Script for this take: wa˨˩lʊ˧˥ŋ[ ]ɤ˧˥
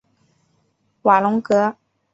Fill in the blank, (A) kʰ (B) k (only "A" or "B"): B